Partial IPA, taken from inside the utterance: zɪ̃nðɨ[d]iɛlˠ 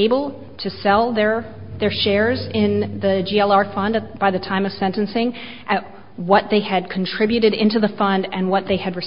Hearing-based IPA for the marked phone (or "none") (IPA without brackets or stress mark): d͡ʒ